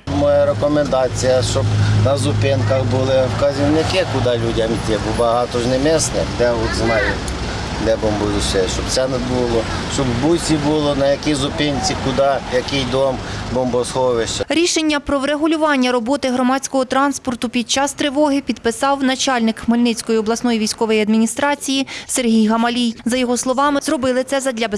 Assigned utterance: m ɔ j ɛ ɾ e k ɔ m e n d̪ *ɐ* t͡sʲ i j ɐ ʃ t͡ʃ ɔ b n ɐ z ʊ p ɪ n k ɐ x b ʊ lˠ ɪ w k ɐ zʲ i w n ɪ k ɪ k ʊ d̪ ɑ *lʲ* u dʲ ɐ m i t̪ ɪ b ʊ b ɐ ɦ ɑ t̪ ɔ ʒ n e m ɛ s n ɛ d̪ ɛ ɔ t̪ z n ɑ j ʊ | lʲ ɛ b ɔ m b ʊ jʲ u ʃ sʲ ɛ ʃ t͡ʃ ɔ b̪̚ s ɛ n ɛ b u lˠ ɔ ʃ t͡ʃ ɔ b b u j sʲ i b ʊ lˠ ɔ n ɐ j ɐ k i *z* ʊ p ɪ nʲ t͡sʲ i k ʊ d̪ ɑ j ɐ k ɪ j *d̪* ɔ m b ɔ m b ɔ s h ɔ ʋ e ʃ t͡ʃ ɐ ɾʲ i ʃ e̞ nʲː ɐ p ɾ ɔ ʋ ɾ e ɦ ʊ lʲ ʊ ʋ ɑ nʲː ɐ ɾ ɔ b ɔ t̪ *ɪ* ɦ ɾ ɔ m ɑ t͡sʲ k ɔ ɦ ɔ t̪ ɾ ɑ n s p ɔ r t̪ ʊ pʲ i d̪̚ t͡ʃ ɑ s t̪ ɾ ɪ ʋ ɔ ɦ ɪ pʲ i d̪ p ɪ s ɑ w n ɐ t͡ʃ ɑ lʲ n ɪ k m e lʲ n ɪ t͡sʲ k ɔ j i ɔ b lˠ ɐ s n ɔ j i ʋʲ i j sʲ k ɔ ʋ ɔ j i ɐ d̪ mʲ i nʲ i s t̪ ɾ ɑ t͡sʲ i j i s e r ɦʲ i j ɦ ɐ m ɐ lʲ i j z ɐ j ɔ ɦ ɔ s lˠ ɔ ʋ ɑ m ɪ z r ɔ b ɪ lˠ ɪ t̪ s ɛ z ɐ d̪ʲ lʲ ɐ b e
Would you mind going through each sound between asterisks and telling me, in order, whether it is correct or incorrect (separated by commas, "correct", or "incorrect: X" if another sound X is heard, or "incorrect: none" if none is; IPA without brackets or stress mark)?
incorrect: ɑ, correct, correct, correct, correct